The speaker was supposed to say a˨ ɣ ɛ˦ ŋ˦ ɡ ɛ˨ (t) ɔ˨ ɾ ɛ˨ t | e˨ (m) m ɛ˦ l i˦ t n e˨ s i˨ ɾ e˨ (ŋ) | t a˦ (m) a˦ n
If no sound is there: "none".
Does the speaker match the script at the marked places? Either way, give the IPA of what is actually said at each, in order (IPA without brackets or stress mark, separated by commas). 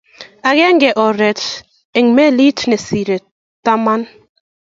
ʔ, ŋ, none, m